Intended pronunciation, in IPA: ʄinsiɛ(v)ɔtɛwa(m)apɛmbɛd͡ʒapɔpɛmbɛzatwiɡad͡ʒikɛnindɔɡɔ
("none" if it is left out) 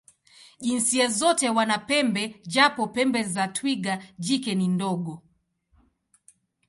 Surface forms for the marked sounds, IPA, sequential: z, n

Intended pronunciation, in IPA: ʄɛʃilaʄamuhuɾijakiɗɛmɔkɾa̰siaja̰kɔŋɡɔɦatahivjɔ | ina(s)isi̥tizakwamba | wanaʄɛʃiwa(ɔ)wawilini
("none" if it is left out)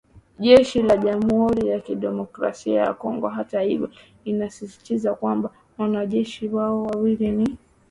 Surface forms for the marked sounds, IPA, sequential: s, ɔ

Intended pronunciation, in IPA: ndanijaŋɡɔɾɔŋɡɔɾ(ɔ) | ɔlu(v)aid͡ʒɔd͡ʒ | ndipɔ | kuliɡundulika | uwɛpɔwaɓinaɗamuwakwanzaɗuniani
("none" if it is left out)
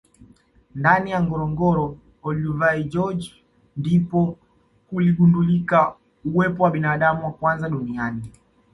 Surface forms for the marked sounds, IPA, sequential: ɔ, v

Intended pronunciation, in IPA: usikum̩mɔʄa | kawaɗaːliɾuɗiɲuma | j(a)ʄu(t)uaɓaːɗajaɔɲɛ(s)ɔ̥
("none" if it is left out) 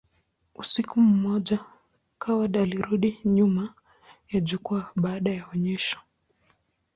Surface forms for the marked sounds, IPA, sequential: a, k, ʃ

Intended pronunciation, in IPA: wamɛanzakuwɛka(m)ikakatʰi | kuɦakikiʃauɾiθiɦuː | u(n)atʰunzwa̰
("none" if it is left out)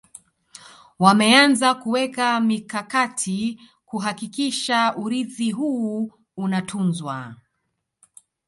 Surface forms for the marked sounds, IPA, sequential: m, n

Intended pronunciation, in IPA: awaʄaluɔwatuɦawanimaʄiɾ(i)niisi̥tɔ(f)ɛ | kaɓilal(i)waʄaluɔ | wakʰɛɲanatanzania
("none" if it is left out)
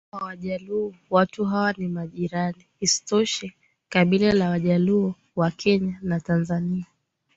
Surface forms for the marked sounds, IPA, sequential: a, ʃ, a

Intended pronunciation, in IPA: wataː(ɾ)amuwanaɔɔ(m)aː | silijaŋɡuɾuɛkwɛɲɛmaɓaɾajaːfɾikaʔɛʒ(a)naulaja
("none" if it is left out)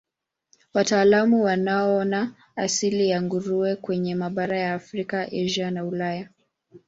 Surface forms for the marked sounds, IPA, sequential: l, n, a

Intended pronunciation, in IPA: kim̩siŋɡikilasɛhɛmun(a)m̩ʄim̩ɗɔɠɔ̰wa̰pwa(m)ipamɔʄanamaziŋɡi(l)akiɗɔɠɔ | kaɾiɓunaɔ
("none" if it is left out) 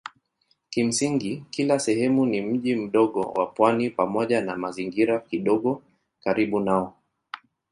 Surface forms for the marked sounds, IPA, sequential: i, n, ɾ

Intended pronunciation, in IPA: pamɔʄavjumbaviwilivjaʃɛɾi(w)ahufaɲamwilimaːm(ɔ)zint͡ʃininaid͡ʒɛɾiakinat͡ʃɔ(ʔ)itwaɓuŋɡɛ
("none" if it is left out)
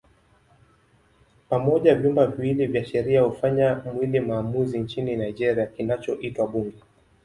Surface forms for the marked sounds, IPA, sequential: none, u, ʔ

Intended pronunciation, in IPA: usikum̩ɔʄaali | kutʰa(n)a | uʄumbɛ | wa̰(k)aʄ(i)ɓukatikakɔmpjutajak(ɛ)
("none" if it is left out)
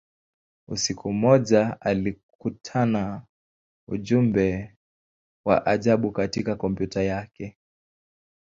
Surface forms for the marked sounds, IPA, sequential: n, ʔ, a, ɛ

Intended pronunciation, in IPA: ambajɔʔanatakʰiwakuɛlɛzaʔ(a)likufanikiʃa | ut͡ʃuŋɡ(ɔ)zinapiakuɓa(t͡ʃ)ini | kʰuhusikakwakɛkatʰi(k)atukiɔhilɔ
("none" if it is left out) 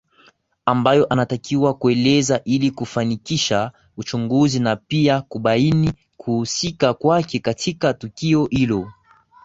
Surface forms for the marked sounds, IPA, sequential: i, u, none, k

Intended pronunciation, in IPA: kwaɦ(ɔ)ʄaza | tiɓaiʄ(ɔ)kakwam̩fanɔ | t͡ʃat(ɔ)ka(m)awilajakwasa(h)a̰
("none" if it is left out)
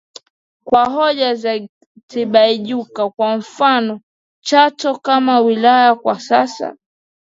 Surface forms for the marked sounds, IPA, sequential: ɔ, u, ɔ, m, s

